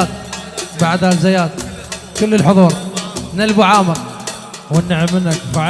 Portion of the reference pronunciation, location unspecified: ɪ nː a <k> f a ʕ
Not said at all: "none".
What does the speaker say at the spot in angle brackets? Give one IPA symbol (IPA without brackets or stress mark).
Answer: k